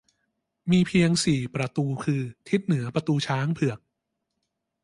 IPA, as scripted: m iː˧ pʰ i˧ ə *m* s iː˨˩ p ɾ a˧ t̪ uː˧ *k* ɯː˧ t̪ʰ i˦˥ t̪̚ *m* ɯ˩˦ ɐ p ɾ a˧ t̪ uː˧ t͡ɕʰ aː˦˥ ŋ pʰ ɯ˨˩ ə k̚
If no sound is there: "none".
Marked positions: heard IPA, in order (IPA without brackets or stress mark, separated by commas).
ŋ, kʰ, n